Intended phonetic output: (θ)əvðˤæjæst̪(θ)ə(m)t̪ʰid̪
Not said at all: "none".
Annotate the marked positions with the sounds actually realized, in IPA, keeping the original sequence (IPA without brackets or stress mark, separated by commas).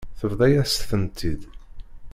θ, θ, n